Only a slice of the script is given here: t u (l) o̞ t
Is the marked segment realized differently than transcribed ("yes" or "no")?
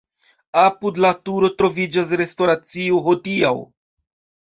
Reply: yes